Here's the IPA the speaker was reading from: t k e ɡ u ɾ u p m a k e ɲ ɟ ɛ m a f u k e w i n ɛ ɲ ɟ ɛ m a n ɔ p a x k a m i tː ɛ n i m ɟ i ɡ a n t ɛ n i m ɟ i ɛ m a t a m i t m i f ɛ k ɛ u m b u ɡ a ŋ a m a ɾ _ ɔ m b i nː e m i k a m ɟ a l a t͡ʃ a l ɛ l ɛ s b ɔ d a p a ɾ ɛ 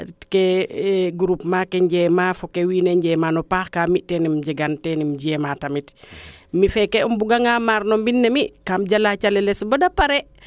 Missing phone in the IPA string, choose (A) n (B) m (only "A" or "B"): A